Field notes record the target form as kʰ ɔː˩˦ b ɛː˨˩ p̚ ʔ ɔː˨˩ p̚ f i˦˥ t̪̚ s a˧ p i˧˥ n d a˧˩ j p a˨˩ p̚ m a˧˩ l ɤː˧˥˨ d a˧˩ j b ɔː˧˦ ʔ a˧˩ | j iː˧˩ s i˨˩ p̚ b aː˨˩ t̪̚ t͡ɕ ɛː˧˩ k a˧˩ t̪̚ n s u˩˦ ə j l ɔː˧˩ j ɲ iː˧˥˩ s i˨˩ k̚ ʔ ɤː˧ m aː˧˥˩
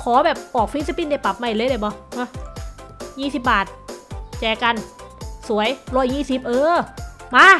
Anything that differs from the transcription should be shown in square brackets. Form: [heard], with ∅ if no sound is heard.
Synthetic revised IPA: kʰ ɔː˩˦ b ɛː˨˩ p̚ ʔ ɔː˨˩ [k̚] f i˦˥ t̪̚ s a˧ p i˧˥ n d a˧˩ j p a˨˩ p̚ m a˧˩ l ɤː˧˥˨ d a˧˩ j b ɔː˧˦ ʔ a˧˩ | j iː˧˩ s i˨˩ p̚ b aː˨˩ t̪̚ t͡ɕ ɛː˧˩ k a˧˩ [∅] n s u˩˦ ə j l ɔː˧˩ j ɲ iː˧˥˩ s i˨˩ [p̚] ʔ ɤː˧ m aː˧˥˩